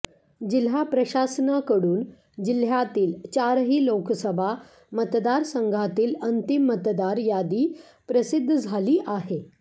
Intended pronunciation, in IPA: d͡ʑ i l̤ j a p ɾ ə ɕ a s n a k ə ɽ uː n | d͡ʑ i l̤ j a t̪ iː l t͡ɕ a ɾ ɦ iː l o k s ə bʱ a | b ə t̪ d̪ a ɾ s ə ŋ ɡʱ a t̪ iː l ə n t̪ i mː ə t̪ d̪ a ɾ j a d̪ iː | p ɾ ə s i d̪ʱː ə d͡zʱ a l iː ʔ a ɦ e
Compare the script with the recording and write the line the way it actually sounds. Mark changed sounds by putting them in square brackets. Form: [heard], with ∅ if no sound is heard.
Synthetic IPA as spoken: d͡ʑ i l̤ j a p ɾ ə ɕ a s n a k ə ɽ uː n | d͡ʑ i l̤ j a t̪ iː l t͡ɕ a ɾ ɦ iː l o k s ə bʱ a | [m] ə t̪ d̪ a ɾ s ə ŋ ɡʱ a t̪ iː l ə n t̪ i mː ə t̪ d̪ a ɾ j a d̪ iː | p ɾ ə s i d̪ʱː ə d͡zʱ a l iː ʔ a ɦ e